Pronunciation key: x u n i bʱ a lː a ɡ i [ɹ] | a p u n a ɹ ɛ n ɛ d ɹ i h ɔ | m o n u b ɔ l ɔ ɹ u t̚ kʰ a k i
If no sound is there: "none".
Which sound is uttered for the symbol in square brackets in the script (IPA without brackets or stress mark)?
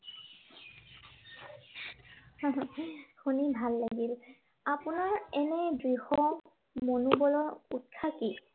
l